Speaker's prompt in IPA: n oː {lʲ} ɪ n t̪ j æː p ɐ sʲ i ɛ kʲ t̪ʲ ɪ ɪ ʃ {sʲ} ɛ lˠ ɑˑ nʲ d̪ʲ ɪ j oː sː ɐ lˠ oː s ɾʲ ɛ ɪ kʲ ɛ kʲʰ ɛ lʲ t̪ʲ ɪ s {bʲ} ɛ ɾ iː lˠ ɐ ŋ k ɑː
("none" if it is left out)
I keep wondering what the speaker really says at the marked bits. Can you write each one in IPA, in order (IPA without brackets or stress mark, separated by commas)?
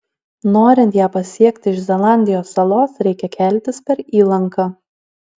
ɾʲ, zʲ, pʲ